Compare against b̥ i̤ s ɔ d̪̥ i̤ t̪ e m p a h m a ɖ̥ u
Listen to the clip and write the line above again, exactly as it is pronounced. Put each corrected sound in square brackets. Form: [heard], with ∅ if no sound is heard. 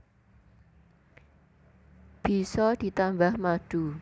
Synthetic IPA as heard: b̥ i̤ s ɔ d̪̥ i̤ t̪ [a] m [b] a h m a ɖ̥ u